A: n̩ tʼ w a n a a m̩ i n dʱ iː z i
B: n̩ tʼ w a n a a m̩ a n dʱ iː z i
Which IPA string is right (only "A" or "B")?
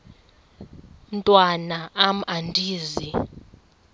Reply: B